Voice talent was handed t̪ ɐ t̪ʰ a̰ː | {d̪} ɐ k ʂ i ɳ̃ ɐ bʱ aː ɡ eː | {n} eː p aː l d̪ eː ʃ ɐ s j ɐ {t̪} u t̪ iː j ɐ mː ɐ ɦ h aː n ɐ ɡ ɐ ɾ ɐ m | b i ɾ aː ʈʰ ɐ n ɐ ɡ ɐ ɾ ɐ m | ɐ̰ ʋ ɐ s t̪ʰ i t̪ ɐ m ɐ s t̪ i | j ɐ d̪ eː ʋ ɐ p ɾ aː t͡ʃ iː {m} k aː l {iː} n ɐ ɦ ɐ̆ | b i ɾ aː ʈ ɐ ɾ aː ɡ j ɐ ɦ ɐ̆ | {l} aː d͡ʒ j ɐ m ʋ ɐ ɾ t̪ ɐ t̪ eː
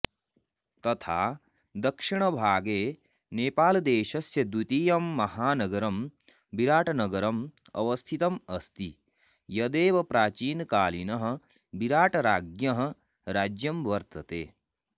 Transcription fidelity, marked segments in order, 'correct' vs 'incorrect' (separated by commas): correct, correct, incorrect, incorrect, incorrect, incorrect